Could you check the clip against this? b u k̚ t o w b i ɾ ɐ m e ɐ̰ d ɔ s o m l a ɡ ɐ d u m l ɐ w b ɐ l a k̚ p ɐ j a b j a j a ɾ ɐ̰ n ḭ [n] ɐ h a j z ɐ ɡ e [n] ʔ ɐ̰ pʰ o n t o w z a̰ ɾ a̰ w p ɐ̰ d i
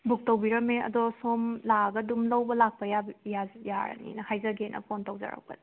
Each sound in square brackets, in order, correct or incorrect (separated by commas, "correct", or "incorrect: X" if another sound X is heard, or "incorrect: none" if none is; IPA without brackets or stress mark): correct, correct